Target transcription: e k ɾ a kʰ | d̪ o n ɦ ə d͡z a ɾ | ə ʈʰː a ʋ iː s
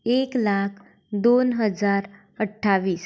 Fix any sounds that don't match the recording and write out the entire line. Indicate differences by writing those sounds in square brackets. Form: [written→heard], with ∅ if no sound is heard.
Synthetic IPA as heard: e k [ɾ→l] a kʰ | d̪ o n ɦ ə d͡z a ɾ | ə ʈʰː a ʋ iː s